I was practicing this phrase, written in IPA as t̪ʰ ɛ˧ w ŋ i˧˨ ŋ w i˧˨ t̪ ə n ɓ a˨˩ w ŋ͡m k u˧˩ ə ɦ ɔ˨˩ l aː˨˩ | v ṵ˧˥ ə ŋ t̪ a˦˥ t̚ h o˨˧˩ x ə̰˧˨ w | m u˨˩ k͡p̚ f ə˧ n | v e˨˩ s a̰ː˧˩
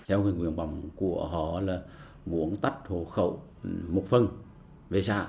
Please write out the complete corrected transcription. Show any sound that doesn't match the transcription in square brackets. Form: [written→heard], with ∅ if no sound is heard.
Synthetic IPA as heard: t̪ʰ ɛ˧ w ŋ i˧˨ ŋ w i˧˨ [t̪→∅] ə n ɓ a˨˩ w ŋ͡m k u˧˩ ə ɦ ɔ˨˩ l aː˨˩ | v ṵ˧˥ ə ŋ t̪ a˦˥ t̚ h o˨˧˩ x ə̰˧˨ w | m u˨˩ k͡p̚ f ə˧ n | v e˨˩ s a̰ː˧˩